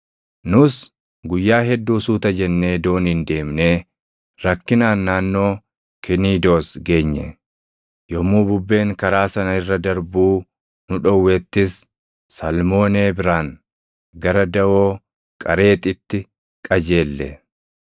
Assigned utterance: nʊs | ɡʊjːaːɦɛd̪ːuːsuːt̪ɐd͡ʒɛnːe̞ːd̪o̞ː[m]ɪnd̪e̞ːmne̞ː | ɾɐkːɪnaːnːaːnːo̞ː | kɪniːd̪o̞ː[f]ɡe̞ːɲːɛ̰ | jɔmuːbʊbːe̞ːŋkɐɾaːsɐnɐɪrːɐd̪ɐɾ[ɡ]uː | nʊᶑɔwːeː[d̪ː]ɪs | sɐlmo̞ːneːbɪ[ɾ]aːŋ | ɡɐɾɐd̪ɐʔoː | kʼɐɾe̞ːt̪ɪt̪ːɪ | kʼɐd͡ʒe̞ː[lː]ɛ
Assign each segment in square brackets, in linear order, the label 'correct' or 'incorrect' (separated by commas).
incorrect, incorrect, incorrect, incorrect, correct, correct